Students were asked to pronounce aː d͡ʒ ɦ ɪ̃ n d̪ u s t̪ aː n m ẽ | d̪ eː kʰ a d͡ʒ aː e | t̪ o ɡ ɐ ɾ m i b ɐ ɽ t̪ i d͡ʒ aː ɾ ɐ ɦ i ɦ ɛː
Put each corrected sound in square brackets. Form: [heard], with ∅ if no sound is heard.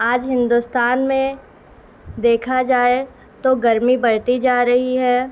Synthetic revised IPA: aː d͡ʒ ɦ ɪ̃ n d̪ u s t̪ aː n m ẽ | d̪ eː kʰ a d͡ʒ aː e | t̪ o ɡ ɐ ɾ m i b ɐ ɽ t̪ i d͡ʒ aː ɾ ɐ ɦ i ɦ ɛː